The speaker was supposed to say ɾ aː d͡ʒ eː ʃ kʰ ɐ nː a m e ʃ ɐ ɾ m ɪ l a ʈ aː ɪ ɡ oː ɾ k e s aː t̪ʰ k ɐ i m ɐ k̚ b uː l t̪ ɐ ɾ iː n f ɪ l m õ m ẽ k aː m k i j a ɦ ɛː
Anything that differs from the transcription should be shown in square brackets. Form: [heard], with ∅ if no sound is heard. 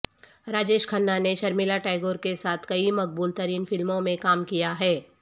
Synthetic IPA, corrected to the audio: ɾ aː d͡ʒ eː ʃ kʰ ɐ nː a [n] e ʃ ɐ ɾ m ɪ l a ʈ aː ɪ ɡ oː ɾ k e s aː t̪ʰ k ɐ i m ɐ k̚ b uː l t̪ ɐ ɾ iː n f ɪ l m õ m ẽ k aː m k i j a ɦ ɛː